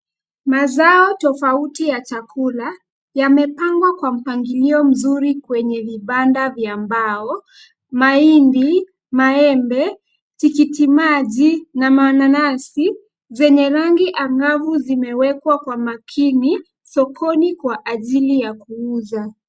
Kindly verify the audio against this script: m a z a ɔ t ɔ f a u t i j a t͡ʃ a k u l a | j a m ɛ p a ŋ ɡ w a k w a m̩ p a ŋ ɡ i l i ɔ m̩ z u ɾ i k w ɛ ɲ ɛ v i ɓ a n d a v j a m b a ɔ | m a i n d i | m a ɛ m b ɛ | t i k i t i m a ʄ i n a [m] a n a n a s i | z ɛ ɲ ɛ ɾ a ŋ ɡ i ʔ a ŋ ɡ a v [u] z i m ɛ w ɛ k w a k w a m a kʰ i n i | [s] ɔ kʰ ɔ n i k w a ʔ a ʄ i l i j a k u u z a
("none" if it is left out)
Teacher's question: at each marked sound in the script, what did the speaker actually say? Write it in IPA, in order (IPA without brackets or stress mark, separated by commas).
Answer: m, u, s